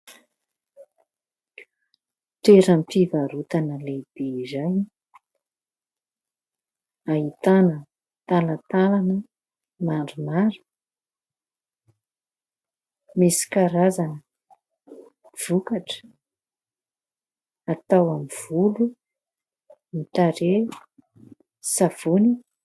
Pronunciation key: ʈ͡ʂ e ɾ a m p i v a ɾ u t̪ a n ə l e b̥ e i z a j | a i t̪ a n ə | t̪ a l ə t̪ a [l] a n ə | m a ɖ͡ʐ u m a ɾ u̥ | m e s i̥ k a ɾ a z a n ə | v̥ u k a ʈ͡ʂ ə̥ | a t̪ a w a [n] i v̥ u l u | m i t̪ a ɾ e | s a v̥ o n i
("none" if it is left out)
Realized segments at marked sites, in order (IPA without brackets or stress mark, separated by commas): l, m